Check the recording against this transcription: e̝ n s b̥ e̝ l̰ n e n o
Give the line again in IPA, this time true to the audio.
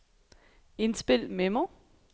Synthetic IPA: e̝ n s b̥ e̝ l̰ m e m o

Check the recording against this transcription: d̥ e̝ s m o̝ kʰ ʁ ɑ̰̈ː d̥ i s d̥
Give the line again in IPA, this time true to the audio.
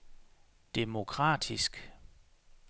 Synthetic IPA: d̥ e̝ m o̝ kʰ ʁ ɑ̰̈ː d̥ i s ɡ̥

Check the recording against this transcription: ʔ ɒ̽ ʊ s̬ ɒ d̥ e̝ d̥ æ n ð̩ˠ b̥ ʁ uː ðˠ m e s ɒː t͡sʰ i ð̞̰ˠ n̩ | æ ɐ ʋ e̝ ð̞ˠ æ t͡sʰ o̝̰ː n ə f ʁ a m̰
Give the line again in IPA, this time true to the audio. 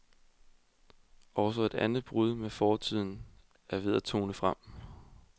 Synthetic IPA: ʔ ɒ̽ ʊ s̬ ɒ e̝ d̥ æ n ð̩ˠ b̥ ʁ u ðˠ m e f ɒː t͡sʰ i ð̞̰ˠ n̩ | æ ɐ ʋ e̝ ð̞ˠ æ t͡sʰ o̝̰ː n ə f ʁ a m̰

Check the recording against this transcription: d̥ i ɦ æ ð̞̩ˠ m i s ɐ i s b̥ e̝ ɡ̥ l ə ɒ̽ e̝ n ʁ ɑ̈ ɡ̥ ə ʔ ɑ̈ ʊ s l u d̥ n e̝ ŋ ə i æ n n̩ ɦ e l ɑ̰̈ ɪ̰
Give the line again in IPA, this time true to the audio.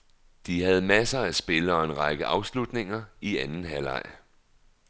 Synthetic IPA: d̥ i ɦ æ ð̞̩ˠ m æ s ɐ æ s b̥ e̝ l ə ɒ̽ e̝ n ʁ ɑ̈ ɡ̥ ə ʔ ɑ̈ ʊ s l u d̥ n e̝ ŋ ɐ i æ n n̩ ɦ æ l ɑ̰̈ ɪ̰

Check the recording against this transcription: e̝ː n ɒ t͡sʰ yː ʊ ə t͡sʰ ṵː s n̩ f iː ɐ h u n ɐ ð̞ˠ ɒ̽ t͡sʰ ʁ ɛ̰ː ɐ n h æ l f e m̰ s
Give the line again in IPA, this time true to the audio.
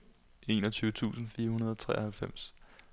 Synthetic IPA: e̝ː n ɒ t͡sʰ yː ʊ ə t͡sʰ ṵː s n̩ f iː ɐ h u n ɐ ð̞ˠ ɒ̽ t͡sʰ ʁ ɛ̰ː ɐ h æ l f e m̰ s

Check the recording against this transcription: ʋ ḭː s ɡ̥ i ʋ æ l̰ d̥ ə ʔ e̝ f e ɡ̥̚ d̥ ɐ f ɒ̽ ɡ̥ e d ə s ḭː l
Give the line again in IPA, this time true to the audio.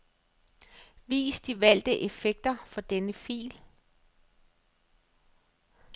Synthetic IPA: ʋ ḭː s d̥ i ʋ æ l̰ d̥ ə ʔ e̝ f e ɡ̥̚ d̥ ɐ f ɒ̽ d̥ e n ə f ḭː l

